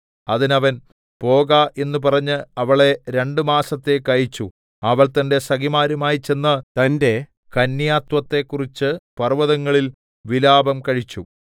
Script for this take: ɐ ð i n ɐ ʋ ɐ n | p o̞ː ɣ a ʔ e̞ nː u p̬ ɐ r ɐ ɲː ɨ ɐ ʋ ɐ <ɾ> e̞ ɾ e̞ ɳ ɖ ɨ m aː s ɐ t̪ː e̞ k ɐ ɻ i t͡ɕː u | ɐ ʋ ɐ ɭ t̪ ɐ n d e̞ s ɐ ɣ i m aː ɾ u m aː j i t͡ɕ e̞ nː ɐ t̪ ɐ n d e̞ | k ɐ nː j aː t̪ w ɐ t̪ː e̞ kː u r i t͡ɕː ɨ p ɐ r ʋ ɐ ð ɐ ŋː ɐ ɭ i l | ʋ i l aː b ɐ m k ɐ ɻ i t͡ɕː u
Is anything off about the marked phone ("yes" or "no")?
yes